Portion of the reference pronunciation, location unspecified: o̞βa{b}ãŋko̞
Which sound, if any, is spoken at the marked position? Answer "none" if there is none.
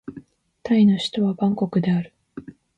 b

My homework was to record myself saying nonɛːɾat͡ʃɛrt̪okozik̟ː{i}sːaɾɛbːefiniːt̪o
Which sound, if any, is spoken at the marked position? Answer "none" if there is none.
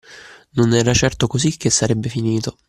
e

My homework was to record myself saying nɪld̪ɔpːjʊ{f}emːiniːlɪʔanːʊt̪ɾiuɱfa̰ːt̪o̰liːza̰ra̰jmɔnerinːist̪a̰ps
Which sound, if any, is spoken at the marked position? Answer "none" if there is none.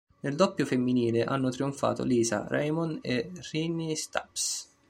f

